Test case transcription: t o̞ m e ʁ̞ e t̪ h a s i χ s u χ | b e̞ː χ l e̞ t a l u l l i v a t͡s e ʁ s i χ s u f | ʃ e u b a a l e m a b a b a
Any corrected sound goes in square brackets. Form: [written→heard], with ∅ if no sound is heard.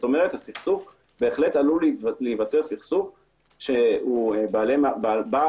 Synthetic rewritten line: t o̞ m e ʁ̞ e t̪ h a s i χ s u [χ→f] | b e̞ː χ l e̞ t a l u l l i v a t͡s e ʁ s i χ s u f | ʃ e u b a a l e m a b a b a